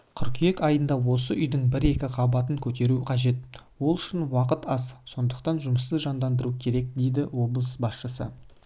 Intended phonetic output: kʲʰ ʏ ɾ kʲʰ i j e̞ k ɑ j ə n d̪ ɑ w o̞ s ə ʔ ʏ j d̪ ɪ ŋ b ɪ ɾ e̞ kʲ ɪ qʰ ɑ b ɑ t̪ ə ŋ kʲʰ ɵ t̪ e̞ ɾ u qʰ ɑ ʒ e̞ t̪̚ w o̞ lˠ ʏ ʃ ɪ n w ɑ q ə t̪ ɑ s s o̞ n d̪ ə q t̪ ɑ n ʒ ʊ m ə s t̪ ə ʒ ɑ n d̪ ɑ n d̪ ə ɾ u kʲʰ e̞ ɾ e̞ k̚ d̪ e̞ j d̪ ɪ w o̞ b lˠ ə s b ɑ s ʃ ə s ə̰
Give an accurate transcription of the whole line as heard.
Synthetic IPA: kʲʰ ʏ ɾ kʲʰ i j e̞ k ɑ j ə n d̪ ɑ w o̞ s ə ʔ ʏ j d̪ ɪ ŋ b ɪ ɾ e̞ kʲ ɪ qʰ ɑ b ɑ t̪ ə ŋ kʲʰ ɵ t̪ e̞ ɾ u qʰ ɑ ʒ e̞ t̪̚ w o̞ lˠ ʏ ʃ ɪ n w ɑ q ə t̪ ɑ s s o̞ n d̪ ə q t̪ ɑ n ʒ ʊ m ə s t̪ ə ʒ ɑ n d̪ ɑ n d̪ ə ɾ u kʲʰ e̞ ɾ e̞ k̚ d̪ e̞ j d̪ ɪ w o̞ b lˠ ə s b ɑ s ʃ ə s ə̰